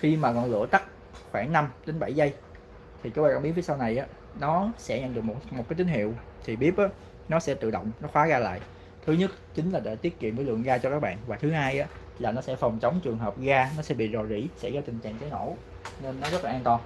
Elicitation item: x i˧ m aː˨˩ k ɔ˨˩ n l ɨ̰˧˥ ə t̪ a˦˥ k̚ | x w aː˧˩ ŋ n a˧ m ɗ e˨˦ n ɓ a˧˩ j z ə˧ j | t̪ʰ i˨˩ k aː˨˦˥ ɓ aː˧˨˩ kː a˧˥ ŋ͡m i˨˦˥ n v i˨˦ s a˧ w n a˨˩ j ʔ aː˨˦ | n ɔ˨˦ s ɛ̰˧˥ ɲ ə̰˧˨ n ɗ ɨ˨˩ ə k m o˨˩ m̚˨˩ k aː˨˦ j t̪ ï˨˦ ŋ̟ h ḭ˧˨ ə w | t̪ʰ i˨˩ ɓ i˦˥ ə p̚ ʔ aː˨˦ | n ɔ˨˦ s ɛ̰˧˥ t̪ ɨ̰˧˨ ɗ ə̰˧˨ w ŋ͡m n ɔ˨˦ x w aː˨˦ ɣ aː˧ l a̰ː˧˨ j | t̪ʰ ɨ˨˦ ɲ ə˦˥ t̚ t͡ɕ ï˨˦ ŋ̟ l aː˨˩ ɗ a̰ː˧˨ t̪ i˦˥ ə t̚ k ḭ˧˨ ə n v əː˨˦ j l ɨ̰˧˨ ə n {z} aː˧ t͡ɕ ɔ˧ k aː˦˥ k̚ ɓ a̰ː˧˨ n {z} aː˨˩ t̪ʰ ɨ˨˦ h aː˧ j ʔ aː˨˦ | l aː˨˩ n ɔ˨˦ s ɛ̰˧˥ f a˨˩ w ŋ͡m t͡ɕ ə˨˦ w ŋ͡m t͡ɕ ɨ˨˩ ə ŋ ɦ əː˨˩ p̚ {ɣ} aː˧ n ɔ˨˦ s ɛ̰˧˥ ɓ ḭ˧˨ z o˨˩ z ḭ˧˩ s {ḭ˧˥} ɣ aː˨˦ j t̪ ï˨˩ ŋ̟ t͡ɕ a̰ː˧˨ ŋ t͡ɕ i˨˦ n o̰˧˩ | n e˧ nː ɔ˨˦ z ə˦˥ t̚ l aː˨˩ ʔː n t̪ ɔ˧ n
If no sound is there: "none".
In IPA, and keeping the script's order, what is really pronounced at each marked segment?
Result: ɣ, v, ɣ, ɛ̰˧˥

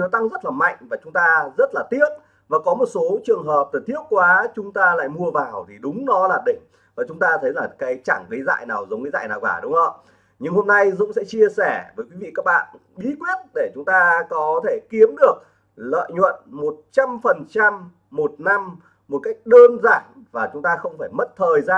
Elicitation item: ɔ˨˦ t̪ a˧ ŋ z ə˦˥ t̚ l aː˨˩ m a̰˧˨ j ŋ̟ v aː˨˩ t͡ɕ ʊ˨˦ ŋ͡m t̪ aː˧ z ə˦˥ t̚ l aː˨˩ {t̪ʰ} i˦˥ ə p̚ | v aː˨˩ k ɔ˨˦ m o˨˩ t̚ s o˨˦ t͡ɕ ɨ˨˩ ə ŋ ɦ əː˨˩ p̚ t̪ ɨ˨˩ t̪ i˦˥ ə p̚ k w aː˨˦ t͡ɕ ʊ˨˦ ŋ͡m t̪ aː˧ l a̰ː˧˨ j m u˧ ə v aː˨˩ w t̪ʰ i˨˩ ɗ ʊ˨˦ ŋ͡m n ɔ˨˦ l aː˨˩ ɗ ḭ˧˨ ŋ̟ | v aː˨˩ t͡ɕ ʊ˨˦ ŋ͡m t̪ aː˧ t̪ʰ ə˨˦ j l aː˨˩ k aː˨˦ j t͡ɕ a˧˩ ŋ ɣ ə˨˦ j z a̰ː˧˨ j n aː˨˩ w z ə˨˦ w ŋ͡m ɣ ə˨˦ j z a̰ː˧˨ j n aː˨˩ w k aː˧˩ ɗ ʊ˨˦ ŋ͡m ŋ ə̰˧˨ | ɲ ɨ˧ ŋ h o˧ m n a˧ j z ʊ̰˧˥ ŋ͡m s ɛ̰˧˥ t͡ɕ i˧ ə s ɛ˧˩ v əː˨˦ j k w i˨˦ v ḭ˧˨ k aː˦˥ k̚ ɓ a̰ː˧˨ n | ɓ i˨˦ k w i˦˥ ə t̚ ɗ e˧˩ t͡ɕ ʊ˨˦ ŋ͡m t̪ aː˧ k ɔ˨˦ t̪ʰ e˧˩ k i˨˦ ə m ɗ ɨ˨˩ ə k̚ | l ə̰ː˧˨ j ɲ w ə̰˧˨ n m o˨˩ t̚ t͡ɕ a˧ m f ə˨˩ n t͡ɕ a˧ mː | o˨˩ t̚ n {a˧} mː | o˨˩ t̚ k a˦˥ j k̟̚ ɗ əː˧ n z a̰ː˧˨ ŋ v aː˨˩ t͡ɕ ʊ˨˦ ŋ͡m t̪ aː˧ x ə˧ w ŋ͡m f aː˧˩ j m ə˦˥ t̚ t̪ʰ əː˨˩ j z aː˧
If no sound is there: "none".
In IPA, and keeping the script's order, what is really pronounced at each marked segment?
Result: t̪, a˧

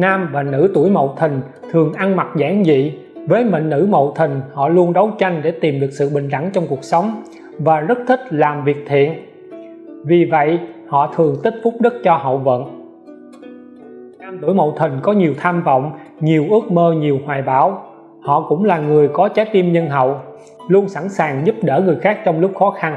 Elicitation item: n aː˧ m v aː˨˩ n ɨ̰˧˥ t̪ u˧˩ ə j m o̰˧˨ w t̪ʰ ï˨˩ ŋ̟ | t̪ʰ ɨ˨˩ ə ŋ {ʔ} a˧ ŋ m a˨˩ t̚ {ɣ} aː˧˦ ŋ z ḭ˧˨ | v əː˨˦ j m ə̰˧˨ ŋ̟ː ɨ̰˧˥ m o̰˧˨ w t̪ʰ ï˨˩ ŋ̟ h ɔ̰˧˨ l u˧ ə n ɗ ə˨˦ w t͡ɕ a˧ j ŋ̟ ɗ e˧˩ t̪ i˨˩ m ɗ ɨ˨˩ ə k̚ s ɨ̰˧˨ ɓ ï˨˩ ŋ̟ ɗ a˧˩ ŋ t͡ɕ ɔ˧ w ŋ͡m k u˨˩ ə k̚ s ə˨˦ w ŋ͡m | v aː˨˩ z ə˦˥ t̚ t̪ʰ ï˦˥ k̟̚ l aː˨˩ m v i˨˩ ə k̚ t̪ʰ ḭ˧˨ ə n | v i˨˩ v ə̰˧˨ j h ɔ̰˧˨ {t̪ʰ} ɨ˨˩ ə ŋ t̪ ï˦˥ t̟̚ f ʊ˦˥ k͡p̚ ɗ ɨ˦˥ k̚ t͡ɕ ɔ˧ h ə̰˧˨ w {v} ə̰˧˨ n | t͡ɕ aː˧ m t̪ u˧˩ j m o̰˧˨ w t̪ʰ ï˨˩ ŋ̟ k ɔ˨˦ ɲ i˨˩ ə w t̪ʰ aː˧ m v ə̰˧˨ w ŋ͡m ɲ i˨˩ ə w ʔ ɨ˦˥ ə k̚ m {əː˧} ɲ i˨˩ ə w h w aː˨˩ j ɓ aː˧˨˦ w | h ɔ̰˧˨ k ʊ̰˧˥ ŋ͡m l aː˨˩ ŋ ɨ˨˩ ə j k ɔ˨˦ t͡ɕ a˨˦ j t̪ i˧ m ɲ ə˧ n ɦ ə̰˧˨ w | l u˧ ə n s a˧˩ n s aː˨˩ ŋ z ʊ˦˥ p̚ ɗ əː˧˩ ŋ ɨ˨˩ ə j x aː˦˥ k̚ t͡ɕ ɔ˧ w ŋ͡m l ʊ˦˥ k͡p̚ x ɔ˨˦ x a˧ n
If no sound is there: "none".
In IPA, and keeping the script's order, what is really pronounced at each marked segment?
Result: ʔ, z, t̪ʰ, v, əː˧

